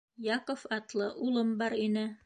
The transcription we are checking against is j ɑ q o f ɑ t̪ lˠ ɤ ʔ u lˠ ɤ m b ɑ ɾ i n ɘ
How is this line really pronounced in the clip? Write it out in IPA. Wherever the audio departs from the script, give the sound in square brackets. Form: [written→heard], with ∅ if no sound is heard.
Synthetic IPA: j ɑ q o f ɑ t̪ lˠ ɤ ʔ u lˠ ɤ m b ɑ ɾ i n ɘ